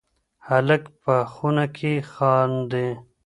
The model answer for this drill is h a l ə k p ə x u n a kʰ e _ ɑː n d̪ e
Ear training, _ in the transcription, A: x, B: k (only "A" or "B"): A